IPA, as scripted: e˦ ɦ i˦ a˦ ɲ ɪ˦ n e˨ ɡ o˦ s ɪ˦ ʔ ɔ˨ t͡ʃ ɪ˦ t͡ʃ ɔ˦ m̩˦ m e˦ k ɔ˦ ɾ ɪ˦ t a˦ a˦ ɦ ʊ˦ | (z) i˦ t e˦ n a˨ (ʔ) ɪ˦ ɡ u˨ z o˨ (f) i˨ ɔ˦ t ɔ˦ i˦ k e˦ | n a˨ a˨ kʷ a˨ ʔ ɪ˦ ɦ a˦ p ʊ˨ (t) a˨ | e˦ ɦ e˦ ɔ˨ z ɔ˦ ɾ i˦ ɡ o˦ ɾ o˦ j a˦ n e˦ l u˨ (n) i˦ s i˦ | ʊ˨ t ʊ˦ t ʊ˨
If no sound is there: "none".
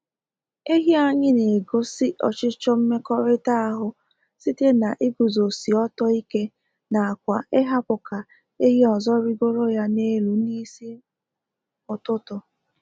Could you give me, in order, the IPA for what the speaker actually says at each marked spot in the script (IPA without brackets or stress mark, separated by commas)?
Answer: s, ʔ, s, k, n